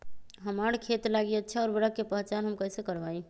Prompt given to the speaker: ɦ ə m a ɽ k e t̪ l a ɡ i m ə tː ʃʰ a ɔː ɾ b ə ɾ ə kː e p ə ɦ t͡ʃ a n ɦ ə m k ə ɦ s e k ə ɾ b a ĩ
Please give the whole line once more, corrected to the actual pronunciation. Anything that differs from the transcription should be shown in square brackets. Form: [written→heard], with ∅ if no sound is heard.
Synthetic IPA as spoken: ɦ ə m a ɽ [k→kʰ] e t̪ l a ɡ i [m→∅] ə tː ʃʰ a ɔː ɾ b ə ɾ ə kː e p ə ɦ t͡ʃ a n ɦ ə m k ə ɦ s e k ə ɾ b a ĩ